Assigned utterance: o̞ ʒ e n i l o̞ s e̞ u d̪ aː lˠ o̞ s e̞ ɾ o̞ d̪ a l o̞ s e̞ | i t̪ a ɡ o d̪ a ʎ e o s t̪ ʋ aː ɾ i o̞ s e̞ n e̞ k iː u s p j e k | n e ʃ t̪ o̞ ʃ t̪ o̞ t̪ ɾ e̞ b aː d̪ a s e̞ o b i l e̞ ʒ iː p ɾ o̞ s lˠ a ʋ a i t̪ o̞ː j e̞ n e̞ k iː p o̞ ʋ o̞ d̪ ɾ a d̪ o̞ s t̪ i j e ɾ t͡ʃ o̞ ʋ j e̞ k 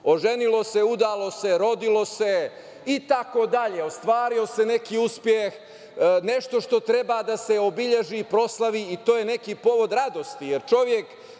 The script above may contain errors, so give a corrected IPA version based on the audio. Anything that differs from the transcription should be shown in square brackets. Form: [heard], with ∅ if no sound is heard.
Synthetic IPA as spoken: o̞ ʒ e n i l o̞ s e̞ u d̪ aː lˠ o̞ s e̞ ɾ o̞ d̪ [i] l o̞ s e̞ | i t̪ a [k] o d̪ a ʎ e o s t̪ ʋ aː ɾ i o̞ s e̞ n e̞ k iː u s p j e [x] | n e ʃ t̪ o̞ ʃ t̪ o̞ t̪ ɾ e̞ b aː d̪ a s e̞ o b i [ʎ] e̞ ʒ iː p ɾ o̞ s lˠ a ʋ [i] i t̪ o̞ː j e̞ n e̞ k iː p o̞ ʋ o̞ d̪ ɾ a d̪ o̞ s t̪ i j e ɾ t͡ʃ o̞ ʋ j e̞ k